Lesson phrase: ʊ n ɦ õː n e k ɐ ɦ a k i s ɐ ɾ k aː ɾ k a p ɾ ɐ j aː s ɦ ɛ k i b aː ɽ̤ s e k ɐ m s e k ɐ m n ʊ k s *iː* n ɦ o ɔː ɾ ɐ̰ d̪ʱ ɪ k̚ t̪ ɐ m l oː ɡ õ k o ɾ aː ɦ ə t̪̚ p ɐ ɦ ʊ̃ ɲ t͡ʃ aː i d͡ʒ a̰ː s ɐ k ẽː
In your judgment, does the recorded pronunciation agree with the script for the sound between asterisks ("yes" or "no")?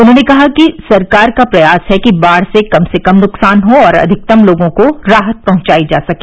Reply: no